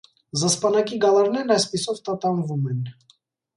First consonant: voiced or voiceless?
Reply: voiced